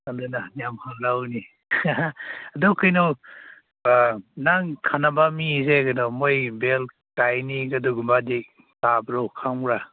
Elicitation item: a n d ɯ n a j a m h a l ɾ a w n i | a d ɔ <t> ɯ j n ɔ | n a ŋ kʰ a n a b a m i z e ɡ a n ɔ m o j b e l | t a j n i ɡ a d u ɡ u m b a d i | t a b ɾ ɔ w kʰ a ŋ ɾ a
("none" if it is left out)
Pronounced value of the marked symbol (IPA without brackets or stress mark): k